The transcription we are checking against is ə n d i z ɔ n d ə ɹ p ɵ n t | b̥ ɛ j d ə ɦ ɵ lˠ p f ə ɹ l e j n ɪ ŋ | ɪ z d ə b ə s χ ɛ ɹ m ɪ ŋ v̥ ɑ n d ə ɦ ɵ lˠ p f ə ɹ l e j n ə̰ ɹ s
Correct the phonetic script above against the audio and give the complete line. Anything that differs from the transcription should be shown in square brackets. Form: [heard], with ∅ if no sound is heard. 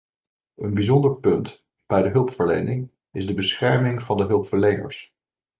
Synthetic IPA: ə n [b] i z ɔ n d ə ɹ p ɵ n t | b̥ ɛ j d ə ɦ ɵ lˠ p f ə ɹ l e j n ɪ ŋ | ɪ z d ə b ə s χ ɛ ɹ m ɪ ŋ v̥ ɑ n d ə ɦ ɵ lˠ p f ə ɹ l e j n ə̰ ɹ s